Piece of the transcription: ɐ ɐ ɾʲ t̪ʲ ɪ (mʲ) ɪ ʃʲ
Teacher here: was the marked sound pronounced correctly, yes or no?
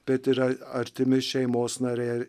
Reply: yes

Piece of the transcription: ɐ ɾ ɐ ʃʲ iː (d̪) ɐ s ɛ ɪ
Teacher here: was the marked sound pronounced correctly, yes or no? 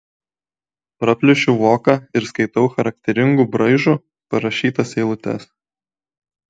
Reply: no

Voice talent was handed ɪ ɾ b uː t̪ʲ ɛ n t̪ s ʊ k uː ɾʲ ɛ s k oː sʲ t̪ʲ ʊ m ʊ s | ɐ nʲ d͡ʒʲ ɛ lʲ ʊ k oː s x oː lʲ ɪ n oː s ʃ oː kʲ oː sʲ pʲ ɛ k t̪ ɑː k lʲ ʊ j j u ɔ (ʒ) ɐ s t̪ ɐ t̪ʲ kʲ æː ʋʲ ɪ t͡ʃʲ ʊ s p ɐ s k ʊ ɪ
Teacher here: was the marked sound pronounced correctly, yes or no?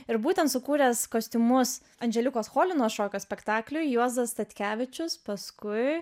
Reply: no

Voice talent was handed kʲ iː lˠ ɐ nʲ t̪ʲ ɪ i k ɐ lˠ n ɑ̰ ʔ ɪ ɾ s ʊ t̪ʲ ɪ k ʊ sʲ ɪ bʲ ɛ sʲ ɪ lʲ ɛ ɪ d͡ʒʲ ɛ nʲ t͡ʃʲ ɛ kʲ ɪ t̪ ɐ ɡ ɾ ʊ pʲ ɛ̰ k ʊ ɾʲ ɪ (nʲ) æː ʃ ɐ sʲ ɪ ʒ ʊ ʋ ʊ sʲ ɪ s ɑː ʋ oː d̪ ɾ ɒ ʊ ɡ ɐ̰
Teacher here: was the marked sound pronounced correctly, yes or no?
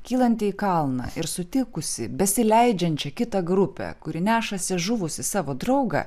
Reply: yes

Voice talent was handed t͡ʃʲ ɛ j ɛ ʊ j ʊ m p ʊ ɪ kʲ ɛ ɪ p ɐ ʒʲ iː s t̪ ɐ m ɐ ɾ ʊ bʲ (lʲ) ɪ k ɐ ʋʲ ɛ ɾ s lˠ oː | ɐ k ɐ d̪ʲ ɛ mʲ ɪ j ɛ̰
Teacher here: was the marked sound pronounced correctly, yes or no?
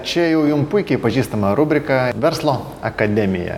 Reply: no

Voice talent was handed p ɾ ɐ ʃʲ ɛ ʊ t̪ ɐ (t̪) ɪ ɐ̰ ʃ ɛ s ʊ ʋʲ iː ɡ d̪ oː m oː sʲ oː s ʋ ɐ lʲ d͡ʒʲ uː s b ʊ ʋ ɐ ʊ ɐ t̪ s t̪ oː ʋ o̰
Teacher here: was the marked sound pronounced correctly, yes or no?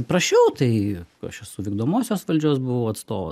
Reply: no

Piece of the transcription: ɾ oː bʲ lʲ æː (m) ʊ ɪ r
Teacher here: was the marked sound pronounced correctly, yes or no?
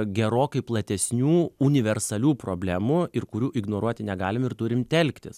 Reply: yes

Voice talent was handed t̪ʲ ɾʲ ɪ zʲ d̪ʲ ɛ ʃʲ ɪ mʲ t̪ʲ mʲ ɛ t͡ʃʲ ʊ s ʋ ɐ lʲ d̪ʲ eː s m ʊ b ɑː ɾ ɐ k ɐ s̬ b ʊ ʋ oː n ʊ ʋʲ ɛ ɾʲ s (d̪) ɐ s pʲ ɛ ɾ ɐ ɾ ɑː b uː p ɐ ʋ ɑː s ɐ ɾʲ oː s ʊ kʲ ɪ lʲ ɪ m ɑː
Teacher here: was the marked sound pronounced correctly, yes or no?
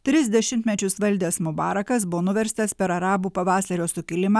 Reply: no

